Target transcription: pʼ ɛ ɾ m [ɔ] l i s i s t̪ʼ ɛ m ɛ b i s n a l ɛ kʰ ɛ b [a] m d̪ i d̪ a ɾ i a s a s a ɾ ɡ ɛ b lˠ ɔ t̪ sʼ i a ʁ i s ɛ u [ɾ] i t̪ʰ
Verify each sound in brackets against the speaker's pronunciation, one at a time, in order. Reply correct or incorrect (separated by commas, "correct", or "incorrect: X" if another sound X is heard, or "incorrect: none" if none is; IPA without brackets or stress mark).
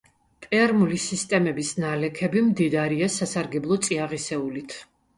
incorrect: u, incorrect: i, incorrect: l